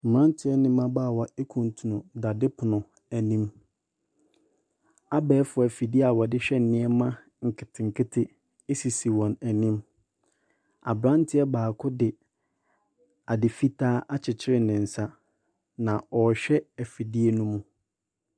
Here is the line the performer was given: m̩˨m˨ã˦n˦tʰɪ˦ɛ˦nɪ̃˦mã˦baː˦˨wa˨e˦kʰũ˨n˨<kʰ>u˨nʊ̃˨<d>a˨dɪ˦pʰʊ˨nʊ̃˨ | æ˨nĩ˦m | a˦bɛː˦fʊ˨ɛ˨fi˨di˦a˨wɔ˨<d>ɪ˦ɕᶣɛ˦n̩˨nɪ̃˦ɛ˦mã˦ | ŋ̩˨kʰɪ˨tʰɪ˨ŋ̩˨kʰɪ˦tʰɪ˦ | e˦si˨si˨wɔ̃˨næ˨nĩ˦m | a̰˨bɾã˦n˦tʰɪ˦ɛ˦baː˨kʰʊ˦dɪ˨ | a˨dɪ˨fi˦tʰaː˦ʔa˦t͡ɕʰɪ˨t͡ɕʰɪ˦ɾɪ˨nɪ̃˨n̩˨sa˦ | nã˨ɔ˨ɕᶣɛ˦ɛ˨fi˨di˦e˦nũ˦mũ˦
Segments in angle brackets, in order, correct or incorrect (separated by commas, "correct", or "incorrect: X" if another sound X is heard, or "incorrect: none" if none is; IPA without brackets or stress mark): incorrect: tʰ, correct, correct